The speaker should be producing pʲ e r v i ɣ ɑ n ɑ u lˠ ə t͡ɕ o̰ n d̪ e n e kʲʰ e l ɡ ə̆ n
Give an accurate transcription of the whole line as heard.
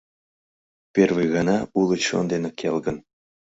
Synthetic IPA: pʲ e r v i ɣ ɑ n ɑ u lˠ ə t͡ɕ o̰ n d̪ e n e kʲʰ e l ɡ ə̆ n